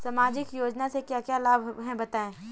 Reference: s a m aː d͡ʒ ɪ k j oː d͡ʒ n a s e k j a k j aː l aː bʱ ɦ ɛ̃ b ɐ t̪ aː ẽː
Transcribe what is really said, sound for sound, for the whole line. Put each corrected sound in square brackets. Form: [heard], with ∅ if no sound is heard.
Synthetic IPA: s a m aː d͡ʒ ɪ k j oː d͡ʒ n a s e k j a k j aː l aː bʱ ɦ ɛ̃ b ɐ t̪ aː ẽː